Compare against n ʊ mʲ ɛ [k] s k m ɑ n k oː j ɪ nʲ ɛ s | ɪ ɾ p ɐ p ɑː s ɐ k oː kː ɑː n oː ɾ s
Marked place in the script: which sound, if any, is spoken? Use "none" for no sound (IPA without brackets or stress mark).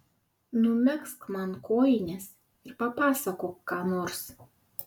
k